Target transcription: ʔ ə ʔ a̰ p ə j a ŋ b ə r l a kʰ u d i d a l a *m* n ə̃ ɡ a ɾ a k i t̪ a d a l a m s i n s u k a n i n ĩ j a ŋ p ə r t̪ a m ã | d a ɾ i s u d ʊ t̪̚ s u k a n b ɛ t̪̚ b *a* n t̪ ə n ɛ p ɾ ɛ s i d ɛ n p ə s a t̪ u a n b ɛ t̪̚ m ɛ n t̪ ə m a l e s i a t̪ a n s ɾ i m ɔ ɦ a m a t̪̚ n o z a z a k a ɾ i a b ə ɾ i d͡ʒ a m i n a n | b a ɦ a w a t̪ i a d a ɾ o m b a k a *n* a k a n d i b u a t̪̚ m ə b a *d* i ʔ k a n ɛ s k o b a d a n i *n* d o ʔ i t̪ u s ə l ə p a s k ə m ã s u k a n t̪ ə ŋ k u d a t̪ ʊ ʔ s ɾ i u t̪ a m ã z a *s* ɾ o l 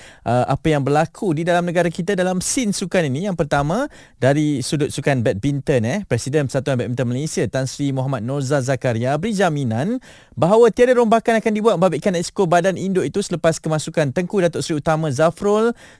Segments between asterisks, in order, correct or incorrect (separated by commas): correct, incorrect, correct, incorrect, correct, incorrect